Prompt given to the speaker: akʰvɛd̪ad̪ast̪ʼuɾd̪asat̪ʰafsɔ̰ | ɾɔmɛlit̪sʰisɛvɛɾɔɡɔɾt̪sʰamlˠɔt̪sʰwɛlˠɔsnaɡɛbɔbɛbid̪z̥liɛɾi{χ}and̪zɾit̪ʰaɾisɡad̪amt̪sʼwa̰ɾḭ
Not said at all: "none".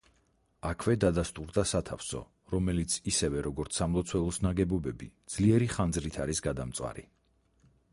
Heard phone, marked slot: χ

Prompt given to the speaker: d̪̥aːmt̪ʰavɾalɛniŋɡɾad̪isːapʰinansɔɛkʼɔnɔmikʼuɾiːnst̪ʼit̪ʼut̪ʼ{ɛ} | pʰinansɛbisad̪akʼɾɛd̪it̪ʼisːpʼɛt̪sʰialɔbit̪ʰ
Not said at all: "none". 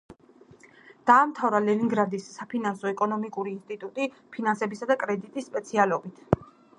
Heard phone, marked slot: i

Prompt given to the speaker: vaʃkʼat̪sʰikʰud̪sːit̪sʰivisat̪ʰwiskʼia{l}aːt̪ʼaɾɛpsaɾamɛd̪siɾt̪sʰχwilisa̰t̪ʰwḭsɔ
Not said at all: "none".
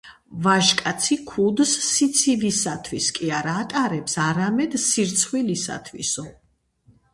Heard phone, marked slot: ɾ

